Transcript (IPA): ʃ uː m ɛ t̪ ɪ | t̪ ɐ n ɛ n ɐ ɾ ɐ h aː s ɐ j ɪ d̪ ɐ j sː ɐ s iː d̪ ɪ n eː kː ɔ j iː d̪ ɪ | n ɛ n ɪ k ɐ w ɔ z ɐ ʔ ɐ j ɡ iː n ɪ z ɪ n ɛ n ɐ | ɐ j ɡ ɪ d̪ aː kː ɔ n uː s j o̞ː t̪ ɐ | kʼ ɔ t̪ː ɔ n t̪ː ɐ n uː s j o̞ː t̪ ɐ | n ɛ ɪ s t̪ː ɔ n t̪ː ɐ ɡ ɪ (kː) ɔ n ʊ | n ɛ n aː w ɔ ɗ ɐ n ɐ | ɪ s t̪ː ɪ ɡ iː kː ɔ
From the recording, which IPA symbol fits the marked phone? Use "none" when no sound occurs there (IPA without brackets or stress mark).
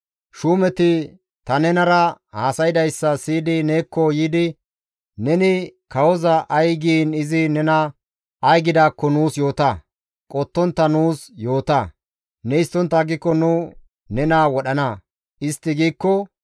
kː